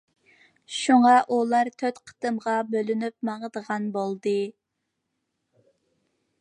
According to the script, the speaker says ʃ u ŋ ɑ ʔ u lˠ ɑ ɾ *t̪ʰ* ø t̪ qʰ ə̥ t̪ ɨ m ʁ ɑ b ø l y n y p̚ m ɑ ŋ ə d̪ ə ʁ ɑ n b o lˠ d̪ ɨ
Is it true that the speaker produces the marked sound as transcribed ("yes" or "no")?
yes